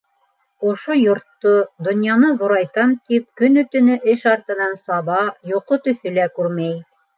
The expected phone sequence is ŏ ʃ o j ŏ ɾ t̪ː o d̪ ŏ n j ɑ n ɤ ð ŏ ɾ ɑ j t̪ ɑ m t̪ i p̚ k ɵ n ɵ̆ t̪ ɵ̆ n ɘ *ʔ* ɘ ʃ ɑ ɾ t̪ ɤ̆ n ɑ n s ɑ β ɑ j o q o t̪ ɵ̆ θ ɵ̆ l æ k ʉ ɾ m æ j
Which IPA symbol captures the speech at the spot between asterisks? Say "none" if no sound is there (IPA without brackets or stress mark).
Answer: ʔ